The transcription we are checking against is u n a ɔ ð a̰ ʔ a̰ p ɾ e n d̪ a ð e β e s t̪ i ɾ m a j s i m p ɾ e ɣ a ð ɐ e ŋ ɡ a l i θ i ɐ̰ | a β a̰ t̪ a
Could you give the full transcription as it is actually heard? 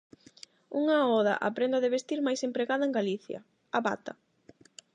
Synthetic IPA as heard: u ŋ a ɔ ð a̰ ʔ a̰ p ɾ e n d̪ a ð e β e s t̪ i ɾ m a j s e m p ɾ e ɣ a ð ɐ e ŋ ɡ a l i θ j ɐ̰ | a β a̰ t̪ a